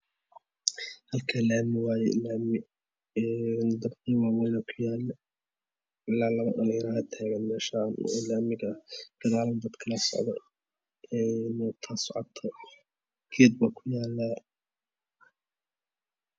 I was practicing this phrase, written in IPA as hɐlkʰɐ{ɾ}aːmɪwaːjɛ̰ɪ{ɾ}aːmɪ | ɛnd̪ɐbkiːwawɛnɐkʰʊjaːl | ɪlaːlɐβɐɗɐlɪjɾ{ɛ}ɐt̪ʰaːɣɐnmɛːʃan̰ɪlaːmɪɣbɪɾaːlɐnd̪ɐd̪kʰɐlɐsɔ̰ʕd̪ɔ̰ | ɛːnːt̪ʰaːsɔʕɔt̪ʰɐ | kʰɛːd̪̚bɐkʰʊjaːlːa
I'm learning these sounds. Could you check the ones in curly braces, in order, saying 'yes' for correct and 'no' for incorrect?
no, no, no

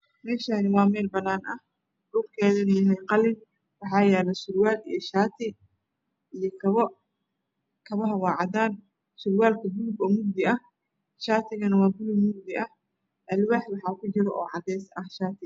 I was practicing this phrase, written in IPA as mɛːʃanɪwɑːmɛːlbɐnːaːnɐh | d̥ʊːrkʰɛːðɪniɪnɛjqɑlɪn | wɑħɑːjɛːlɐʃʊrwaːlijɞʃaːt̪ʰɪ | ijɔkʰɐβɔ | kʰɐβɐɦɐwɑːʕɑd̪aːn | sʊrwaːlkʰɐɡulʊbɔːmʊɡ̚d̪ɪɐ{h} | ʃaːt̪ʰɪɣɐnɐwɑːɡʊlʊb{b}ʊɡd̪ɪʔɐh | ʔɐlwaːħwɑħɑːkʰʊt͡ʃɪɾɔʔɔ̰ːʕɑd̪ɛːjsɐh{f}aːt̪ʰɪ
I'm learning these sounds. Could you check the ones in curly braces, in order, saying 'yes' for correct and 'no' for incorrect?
yes, no, no

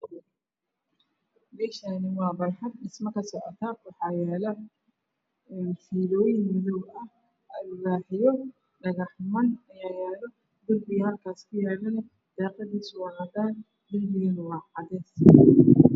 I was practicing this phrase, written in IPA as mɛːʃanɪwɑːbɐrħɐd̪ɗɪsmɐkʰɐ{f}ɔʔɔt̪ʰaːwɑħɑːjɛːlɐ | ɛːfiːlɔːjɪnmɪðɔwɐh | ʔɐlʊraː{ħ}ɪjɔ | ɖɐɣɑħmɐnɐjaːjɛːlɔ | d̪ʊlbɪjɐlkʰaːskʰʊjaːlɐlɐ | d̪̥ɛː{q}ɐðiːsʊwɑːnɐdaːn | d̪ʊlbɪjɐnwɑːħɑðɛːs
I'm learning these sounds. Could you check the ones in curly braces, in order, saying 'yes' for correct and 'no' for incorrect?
no, yes, yes

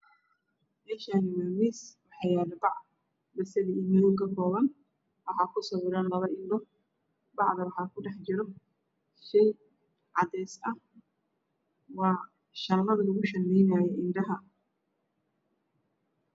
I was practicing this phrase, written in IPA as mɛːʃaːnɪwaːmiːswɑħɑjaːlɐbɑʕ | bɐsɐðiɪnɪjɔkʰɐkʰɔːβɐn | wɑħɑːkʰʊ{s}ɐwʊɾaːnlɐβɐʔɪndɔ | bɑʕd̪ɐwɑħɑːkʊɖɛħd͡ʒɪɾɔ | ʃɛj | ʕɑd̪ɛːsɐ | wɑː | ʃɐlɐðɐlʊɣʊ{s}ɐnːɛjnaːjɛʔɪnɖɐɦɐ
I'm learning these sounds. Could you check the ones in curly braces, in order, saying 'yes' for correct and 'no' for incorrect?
yes, no

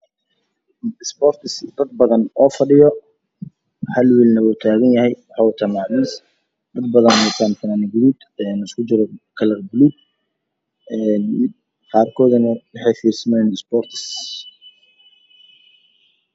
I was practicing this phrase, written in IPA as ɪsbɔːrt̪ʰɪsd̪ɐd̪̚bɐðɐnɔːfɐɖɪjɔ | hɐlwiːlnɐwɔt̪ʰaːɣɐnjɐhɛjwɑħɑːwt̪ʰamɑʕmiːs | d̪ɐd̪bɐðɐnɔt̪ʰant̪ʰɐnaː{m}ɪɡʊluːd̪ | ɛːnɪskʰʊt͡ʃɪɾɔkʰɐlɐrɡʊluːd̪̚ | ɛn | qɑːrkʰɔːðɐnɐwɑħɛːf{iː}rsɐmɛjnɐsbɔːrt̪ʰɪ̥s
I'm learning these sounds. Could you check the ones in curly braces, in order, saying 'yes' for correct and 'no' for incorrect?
no, yes

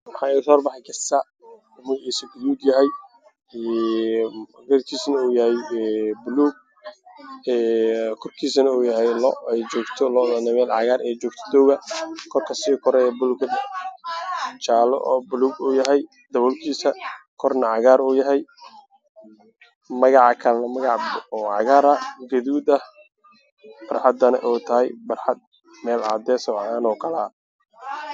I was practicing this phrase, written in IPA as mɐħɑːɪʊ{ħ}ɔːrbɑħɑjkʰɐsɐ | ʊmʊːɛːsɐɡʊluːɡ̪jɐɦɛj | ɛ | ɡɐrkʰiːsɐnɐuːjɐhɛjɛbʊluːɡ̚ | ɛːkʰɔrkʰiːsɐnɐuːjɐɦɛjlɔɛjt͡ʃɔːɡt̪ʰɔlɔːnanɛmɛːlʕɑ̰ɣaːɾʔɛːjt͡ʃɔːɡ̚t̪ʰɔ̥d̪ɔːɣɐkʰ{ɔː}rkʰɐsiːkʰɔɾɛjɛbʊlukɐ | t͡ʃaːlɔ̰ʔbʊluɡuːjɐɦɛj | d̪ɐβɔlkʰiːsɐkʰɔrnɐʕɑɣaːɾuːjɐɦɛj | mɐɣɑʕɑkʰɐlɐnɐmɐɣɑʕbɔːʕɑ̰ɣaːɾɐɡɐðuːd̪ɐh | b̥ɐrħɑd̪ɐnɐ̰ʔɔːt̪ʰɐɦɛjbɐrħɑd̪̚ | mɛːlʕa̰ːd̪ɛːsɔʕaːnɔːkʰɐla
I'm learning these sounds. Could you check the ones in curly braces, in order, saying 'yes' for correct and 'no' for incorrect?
no, no

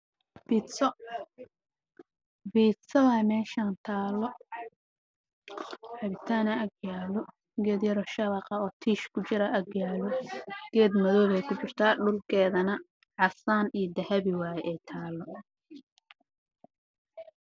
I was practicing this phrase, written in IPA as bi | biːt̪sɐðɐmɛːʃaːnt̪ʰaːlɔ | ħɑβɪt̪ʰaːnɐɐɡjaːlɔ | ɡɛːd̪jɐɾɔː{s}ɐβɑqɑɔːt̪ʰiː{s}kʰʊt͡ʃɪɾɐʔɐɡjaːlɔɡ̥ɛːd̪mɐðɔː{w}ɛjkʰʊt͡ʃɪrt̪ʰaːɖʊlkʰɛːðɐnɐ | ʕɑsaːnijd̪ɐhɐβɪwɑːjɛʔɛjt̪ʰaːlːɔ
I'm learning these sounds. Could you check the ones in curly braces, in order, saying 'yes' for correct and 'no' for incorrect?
no, no, no

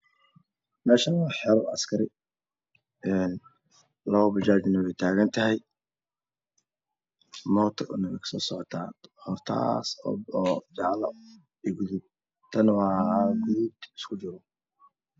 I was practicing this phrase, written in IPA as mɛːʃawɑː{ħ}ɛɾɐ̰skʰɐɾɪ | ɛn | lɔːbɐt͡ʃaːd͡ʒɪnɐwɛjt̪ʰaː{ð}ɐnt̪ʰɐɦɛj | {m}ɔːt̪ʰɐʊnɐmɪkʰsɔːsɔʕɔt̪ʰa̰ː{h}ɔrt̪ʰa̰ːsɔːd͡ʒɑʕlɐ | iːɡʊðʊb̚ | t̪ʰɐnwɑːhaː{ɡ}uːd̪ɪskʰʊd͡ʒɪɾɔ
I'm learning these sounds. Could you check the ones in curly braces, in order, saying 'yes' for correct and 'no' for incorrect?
yes, no, yes, yes, yes

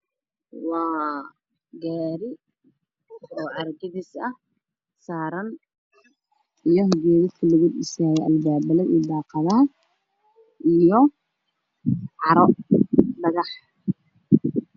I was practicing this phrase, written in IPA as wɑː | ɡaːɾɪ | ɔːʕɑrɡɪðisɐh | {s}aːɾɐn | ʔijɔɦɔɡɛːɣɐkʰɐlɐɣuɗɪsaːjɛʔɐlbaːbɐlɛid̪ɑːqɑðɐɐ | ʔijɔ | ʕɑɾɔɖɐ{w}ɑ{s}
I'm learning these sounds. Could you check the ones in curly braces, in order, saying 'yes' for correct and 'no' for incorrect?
yes, no, no

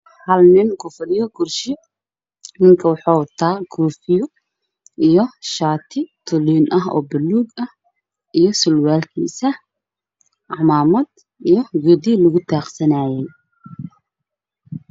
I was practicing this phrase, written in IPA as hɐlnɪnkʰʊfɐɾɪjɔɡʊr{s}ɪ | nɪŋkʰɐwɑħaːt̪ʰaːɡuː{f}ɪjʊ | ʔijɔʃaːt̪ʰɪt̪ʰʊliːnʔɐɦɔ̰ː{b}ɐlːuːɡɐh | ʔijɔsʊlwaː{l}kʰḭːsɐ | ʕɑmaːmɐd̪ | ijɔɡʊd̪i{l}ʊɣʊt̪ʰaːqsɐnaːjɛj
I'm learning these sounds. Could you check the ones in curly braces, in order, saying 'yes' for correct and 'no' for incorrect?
no, yes, yes, yes, yes

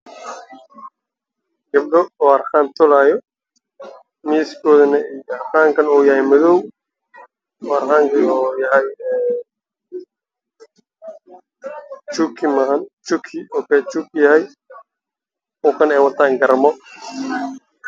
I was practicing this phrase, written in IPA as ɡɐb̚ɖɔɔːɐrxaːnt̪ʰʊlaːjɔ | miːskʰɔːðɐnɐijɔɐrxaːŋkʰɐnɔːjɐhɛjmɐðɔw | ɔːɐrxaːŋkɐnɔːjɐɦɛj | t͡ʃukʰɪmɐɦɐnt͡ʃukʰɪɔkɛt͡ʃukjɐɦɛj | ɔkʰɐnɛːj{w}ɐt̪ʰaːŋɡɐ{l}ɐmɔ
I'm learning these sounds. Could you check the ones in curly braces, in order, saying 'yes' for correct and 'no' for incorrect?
yes, no

